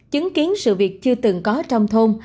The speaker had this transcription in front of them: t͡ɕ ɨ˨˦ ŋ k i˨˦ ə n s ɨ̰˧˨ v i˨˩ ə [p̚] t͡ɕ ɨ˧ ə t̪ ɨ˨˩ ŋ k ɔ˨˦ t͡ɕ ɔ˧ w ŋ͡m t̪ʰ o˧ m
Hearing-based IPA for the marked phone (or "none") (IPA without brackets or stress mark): k̚